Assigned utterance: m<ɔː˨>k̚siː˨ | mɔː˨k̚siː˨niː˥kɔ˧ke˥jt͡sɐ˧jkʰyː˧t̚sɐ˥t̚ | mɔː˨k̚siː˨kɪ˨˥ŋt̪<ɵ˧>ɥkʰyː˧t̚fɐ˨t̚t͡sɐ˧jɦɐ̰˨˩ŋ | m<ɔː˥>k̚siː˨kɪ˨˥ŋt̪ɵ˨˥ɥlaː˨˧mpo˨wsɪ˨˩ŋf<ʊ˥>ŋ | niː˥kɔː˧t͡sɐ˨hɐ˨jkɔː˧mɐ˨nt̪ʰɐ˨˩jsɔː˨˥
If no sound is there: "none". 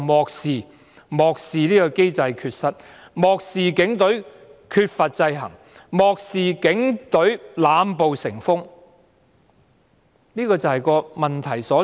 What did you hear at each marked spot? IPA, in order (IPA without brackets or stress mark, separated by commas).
ɔː˨, ɵ˨˥, ɔː˨, ʊ˥